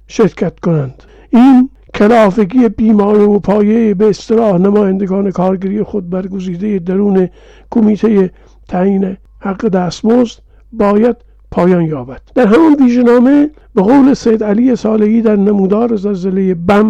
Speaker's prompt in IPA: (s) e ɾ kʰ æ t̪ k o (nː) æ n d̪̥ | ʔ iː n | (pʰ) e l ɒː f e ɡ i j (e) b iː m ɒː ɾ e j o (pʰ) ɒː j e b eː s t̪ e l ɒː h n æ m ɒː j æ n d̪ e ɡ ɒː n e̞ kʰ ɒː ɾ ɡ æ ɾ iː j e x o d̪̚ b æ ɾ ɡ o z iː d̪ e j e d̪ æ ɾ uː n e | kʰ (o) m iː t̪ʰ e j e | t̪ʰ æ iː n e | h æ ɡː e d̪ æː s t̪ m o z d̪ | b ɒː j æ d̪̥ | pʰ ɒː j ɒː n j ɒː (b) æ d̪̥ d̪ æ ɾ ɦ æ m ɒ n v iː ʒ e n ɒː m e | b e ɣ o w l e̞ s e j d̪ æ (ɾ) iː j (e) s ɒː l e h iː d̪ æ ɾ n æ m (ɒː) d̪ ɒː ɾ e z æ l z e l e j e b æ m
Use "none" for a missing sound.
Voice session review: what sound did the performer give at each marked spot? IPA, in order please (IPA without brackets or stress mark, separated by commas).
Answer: ʃ, n, kʰ, e, pʰ, o, b, l, e, uː